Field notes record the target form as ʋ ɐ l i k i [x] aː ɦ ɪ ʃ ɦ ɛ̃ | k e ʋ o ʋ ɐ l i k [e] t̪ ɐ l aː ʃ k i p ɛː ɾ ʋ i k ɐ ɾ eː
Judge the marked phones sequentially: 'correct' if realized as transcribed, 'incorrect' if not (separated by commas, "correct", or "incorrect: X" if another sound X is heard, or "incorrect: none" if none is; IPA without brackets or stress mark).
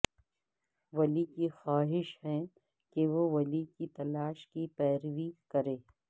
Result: correct, incorrect: i